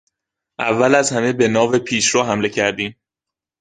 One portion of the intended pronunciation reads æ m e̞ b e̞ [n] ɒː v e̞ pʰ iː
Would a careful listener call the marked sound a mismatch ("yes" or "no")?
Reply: no